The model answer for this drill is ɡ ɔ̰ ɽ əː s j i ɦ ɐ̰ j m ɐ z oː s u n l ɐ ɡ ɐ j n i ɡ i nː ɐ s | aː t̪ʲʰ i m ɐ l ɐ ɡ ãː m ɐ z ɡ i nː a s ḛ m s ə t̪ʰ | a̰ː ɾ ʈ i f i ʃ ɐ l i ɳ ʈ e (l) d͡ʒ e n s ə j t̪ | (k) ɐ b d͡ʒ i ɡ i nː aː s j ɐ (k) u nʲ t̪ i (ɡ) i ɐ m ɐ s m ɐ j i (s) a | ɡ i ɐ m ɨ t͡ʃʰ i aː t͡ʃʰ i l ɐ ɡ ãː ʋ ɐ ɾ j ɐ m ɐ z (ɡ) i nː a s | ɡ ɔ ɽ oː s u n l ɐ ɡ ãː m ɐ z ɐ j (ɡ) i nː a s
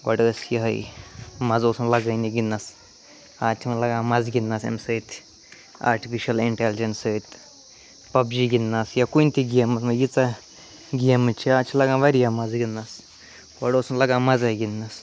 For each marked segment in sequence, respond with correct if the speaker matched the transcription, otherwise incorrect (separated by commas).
correct, incorrect, correct, correct, incorrect, correct, correct